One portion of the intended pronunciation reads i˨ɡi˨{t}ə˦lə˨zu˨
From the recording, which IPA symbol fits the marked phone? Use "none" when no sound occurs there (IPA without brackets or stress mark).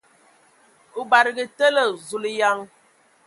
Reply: t